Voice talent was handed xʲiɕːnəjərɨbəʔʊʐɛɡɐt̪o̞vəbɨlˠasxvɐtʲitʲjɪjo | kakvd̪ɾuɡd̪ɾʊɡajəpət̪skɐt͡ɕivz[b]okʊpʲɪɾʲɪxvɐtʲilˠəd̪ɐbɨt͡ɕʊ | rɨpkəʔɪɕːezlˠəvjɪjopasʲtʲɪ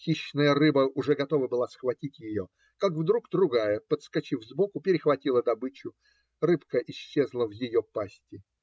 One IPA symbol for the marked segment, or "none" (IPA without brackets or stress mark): b